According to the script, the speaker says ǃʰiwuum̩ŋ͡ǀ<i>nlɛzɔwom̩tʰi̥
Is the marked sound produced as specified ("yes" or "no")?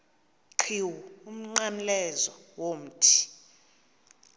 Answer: no